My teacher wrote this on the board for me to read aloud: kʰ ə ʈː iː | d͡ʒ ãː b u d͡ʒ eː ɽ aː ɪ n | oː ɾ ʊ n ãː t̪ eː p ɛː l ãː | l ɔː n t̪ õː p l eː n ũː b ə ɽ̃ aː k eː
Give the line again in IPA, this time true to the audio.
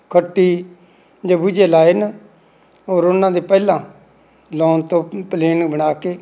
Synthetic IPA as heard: kʰ ə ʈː iː | d͡ʒ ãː b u d͡ʒ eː l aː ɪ n | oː ɾ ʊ n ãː d̪ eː p ɛː l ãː | l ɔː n t̪ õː p l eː n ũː b ə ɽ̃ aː k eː